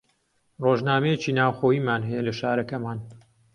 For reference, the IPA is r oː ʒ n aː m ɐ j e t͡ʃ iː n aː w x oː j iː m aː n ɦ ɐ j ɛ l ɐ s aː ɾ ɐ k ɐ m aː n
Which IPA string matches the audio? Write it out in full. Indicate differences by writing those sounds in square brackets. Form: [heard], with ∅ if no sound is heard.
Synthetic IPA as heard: r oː ʒ n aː m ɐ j e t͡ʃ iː n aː w x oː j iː m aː n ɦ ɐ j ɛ l ɐ [ʃ] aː ɾ ɐ k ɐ m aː n